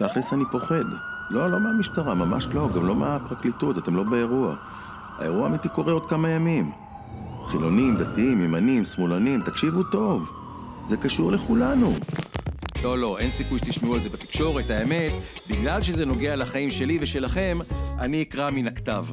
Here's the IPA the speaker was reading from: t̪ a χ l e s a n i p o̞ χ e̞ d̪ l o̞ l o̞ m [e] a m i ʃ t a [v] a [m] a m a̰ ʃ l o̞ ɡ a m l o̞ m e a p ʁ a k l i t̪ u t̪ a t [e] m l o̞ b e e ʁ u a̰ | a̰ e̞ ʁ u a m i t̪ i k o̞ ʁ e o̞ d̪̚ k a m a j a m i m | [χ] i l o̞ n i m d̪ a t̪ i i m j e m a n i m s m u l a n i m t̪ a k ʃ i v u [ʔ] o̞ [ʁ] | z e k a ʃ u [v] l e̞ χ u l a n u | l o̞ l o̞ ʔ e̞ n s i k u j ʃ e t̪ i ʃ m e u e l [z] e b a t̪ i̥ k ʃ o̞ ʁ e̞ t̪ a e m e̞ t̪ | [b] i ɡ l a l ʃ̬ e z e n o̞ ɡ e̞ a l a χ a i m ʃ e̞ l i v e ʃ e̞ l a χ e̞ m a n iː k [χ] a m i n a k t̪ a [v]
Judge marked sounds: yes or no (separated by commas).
yes, no, yes, yes, yes, no, no, no, yes, yes, no, yes